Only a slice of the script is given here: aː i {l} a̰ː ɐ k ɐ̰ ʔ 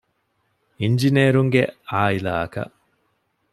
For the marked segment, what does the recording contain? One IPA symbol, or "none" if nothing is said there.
l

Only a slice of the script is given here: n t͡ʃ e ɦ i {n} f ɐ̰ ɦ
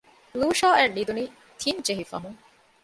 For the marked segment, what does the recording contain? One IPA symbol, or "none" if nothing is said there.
none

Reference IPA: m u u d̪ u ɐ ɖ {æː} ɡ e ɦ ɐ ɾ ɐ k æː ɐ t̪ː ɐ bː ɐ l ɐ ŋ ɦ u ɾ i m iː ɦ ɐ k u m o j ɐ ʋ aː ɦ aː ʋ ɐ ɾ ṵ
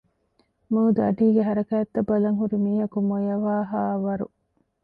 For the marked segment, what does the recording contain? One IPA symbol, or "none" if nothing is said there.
iː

